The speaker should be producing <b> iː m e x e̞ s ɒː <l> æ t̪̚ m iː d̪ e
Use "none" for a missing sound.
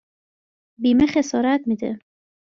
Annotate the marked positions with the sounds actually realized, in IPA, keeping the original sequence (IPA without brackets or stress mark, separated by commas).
b, ɾ